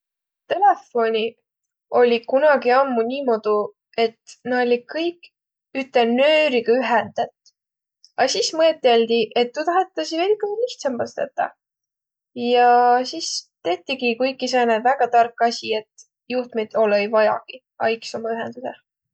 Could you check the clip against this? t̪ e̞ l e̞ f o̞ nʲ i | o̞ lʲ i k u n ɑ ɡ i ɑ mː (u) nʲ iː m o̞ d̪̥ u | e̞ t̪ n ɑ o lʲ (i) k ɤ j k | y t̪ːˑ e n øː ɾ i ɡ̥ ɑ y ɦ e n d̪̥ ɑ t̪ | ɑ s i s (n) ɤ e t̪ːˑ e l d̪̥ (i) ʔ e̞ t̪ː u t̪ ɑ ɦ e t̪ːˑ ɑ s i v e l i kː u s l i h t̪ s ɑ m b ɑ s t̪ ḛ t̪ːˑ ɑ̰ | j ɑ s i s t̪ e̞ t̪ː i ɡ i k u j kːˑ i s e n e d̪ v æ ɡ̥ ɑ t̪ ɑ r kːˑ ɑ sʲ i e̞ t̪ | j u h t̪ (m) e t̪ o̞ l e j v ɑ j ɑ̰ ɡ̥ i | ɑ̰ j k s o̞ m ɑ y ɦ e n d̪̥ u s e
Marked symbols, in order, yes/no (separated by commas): yes, yes, no, yes, yes